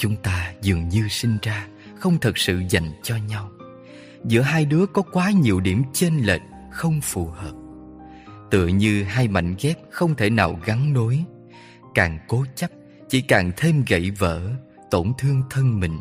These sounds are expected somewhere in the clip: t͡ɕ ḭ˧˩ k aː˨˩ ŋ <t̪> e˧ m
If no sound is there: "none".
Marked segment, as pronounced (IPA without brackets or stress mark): t̪ʰ